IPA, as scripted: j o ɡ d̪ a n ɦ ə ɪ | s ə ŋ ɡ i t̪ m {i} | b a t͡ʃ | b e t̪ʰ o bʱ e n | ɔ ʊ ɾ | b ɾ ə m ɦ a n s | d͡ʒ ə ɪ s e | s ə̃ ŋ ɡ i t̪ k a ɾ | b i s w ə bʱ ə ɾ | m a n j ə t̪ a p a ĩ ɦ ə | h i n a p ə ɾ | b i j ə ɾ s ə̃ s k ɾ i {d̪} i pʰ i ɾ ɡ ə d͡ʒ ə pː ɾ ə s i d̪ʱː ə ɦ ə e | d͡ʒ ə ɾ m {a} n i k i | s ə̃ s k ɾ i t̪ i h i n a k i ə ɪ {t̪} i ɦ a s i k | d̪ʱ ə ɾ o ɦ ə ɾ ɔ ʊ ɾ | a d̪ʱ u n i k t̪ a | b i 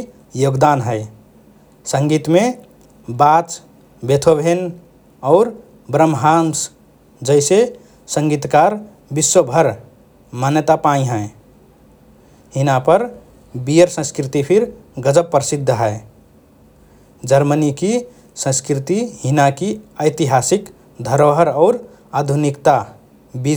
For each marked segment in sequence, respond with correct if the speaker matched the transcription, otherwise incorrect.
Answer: incorrect: e, incorrect: t̪, incorrect: ə, correct

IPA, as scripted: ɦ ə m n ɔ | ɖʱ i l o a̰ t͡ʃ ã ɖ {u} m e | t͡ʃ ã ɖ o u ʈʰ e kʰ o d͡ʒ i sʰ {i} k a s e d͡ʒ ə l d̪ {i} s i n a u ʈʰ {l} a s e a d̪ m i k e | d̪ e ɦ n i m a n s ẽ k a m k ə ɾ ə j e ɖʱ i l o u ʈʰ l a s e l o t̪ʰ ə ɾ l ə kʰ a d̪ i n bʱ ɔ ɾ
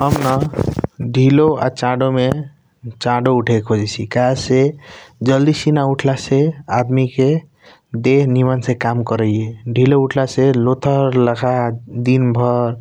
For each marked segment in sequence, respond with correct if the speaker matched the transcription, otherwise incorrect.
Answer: incorrect: o, correct, correct, correct

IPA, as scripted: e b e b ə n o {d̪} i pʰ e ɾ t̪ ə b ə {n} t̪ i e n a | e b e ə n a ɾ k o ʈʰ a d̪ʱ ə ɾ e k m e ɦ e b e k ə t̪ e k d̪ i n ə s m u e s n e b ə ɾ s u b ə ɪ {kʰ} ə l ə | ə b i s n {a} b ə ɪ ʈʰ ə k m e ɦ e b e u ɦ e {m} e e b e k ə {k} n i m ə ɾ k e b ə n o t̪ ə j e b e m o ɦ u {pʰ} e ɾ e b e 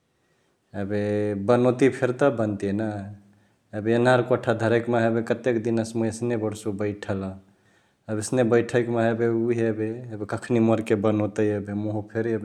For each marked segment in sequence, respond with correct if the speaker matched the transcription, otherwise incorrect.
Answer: incorrect: t̪, correct, incorrect: ʈʰ, incorrect: e, incorrect: b, incorrect: kʰ, correct

